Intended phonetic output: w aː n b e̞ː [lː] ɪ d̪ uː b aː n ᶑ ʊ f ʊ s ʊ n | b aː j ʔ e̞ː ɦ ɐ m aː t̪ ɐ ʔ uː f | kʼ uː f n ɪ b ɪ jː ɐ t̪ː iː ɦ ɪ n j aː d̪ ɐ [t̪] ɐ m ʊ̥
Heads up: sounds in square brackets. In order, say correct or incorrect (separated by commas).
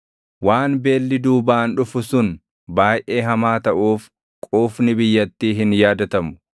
correct, correct